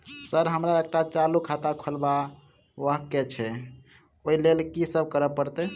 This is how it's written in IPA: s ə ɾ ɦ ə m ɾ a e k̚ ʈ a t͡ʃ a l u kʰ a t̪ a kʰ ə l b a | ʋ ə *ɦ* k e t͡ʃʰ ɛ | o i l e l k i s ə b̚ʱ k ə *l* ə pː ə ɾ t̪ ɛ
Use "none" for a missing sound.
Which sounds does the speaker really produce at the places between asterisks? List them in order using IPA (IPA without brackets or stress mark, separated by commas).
ɦ, ɾ